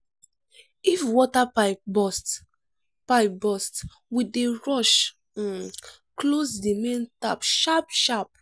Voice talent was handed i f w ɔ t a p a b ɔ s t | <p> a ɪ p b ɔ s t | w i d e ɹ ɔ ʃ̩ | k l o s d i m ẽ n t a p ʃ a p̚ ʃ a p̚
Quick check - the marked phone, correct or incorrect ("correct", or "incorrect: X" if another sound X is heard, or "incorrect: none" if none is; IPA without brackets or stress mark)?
correct